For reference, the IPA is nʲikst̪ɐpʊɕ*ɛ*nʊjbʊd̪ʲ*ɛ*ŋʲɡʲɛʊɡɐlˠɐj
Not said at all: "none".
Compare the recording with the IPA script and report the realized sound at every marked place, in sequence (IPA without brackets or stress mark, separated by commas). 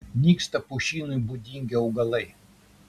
i, i